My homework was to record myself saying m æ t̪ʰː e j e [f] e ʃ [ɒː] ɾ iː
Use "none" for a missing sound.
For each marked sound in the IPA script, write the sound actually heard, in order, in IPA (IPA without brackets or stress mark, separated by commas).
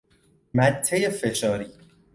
f, ɒː